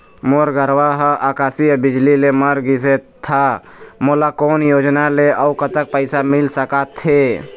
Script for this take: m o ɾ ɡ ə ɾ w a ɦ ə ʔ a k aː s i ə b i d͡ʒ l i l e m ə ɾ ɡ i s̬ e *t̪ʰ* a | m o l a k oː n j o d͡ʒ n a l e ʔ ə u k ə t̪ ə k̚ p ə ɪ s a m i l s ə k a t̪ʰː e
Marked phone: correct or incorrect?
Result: correct